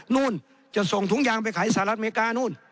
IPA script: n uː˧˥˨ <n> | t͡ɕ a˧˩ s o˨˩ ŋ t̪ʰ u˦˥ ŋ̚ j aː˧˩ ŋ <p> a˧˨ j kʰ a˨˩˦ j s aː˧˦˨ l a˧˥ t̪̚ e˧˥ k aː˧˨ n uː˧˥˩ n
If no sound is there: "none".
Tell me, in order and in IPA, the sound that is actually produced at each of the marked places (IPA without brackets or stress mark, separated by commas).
n, p